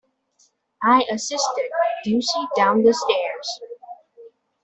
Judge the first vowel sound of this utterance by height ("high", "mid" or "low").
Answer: low